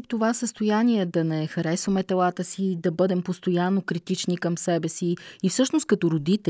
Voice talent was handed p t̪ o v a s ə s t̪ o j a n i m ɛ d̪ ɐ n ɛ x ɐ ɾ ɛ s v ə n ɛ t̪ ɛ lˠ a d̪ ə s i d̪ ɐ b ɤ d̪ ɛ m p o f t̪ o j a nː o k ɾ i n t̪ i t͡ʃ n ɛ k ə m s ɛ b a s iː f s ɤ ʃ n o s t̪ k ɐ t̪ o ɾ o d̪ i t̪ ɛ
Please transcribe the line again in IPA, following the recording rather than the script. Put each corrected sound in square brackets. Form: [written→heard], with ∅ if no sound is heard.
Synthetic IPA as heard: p t̪ o v a s ə s t̪ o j a n i [m→∅] ɛ d̪ ɐ n ɛ x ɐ ɾ ɛ s v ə [n→m] ɛ t̪ ɛ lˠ a [d̪→t̪] ə s i d̪ ɐ b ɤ d̪ ɛ m p o [f→s] t̪ o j a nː o k ɾ i [n→∅] t̪ i t͡ʃ n [ɛ→i] k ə m s ɛ b [a→ɛ] s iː f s ɤ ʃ n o s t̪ k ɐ t̪ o ɾ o d̪ i t̪ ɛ